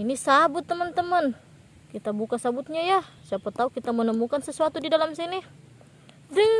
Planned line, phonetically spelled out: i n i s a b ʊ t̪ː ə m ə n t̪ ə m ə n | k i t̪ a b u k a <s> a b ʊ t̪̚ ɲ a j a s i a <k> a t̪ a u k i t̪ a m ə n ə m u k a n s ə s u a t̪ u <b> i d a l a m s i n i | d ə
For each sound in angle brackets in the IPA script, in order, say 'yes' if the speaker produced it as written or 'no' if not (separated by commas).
yes, no, no